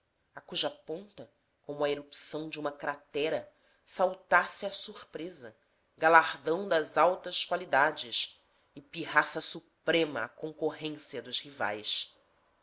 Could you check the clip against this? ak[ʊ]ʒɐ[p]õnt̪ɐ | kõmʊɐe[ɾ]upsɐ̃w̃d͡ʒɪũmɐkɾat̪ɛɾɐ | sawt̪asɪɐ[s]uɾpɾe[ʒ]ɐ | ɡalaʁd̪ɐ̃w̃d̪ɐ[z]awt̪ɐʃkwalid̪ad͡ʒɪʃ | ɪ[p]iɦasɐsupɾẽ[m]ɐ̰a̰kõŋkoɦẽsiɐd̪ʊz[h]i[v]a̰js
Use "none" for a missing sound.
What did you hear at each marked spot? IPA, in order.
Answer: u, p, ɾ, s, z, z, p, m, h, v

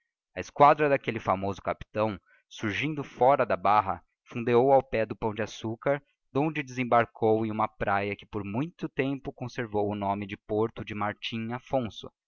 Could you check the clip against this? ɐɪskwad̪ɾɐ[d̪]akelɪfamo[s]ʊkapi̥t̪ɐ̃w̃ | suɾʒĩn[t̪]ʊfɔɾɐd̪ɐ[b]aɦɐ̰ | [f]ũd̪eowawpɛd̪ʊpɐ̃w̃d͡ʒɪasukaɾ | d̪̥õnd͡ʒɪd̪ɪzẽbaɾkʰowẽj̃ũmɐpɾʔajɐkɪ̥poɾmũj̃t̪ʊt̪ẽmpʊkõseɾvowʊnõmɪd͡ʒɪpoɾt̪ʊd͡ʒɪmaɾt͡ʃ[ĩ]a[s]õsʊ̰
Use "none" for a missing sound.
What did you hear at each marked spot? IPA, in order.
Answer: d̪, z, d̪, b, f, ĩ, f

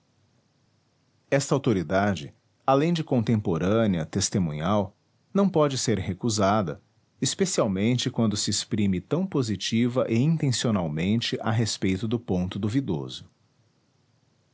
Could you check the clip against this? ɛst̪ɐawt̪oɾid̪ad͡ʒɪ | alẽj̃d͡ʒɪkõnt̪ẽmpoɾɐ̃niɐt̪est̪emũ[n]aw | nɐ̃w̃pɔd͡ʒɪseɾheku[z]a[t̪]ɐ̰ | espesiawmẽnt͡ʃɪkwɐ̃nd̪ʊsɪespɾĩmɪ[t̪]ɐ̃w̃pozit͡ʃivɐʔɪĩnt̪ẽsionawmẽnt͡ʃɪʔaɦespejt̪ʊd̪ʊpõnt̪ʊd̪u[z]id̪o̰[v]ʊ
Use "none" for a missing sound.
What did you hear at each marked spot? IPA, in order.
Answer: ɲ, z, d̪, t̪, v, z

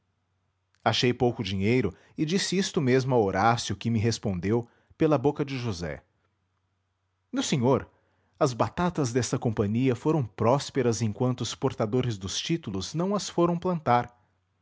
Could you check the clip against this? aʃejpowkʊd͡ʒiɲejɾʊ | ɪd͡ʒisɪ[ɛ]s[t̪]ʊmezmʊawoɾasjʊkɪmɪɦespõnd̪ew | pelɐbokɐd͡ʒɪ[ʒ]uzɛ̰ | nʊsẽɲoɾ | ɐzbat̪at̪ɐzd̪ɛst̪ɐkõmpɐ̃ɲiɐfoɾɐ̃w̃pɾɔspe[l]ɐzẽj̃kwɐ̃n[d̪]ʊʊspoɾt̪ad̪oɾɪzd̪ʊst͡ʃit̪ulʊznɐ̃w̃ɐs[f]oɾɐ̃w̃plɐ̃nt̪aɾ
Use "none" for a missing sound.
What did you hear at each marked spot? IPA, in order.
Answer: i, t̪, ʒ, ɾ, t̪, f

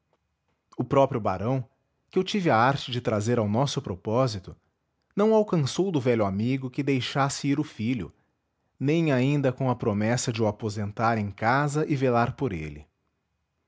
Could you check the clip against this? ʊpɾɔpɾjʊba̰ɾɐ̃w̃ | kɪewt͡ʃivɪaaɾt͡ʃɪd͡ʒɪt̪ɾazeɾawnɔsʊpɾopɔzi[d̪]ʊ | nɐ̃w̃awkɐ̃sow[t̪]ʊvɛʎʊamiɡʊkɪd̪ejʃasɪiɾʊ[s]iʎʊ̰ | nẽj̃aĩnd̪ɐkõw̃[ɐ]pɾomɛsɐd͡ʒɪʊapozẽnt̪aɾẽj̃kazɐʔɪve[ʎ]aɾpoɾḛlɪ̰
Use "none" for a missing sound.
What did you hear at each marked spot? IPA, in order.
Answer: t̪, d̪, f, ɐ, l

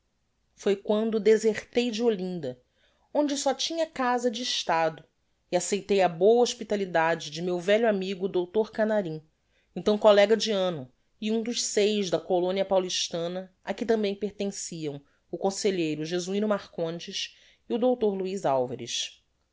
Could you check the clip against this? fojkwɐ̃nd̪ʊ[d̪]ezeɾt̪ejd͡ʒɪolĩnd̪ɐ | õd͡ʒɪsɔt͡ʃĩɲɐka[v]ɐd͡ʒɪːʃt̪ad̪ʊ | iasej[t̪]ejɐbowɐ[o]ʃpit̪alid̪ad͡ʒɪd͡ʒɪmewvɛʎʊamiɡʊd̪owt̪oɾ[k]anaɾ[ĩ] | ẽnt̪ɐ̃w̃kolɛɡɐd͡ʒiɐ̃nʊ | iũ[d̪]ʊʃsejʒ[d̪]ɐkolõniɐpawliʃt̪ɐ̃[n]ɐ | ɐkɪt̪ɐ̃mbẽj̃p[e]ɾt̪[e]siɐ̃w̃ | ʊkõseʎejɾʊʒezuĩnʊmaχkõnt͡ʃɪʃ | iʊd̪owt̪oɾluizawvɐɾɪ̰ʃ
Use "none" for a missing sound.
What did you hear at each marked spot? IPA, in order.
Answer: d̪, z, t̪, o, k, ĩ, d̪, d̪, n, e, ẽ

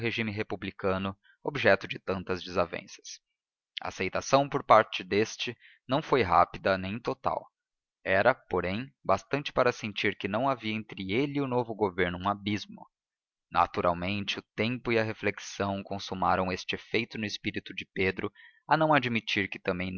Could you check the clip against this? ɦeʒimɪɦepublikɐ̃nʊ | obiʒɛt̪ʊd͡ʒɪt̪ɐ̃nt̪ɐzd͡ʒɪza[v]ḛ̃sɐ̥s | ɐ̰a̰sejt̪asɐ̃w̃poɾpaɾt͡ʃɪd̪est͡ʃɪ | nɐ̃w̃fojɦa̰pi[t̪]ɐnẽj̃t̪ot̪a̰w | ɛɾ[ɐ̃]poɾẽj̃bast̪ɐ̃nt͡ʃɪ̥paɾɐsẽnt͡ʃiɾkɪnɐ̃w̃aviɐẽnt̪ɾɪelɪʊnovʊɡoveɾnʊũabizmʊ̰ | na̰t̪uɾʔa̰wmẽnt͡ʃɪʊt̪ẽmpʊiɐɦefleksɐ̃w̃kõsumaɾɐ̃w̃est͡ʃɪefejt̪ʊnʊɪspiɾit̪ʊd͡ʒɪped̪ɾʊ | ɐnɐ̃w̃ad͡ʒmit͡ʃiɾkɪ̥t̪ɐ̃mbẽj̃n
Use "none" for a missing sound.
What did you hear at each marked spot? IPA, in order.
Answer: v, d̪, ɐ

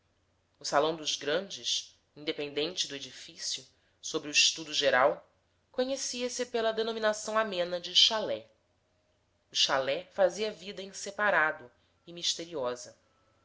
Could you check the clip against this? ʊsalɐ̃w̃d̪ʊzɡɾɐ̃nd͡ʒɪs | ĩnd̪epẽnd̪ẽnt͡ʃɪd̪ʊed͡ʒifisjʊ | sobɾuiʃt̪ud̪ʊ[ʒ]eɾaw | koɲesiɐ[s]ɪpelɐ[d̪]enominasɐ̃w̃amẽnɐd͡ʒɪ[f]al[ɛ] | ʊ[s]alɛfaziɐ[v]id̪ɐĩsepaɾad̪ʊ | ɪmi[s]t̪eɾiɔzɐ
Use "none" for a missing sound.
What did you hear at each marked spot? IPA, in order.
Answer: ʒ, s, d̪, ʃ, ɛ, ʃ, v, ʃ

